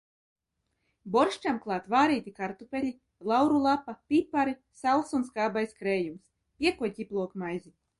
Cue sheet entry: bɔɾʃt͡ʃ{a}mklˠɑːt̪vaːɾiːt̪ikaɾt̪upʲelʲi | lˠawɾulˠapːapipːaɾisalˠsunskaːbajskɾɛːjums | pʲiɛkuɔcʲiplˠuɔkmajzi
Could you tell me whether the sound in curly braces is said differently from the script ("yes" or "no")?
no